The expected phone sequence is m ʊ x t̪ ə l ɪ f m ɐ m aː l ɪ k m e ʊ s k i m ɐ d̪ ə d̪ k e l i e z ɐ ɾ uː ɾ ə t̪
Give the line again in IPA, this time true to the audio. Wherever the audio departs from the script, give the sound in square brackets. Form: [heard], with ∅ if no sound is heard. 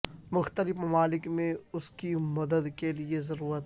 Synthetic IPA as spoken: m ʊ x t̪ ə l ɪ f m ɐ m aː l ɪ k m [ẽ] ʊ s k i m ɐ d̪ ə d̪ k e l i e z ɐ ɾ uː ɾ ə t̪